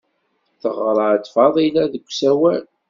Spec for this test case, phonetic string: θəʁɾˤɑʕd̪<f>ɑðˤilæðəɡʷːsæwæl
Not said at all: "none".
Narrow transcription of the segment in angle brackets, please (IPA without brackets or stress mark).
f